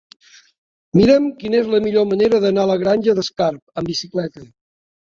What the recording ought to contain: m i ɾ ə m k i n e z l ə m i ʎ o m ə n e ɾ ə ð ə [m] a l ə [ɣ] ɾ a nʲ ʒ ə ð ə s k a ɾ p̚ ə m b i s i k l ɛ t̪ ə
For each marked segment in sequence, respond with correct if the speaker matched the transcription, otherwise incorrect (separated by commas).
incorrect, correct